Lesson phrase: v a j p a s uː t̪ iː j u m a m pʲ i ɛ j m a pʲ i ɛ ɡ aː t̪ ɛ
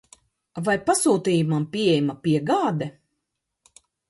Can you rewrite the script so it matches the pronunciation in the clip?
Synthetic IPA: v a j p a s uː t̪ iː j u m a m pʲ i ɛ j m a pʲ i ɛ ɡ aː d̪ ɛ